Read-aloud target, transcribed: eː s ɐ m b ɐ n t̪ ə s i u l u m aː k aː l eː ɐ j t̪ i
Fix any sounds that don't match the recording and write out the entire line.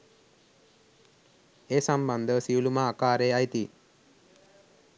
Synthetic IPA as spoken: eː s ɐ m b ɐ n d̪ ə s i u l u m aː k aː ɾ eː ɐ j t̪ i